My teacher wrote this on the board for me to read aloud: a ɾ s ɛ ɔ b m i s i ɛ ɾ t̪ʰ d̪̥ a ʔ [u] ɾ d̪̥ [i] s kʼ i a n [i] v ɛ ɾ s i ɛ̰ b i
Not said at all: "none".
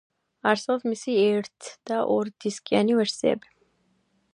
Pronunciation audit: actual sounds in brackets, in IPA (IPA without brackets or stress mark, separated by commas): ɔ, i, i